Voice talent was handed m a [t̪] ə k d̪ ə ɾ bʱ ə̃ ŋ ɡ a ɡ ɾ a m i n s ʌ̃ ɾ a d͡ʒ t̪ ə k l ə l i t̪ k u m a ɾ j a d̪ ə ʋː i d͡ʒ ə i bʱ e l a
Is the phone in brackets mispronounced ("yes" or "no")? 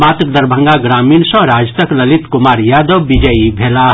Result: no